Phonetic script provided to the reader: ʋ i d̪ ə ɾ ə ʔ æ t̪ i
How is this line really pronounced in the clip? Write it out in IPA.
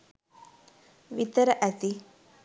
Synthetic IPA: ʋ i t̪ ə ɾ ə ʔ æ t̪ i